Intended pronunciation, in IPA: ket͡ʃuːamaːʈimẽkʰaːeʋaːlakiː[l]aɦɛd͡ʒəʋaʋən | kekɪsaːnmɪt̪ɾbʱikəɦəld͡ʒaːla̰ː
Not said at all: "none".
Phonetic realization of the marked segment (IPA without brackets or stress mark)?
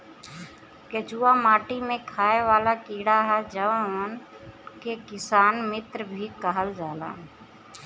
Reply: ɽ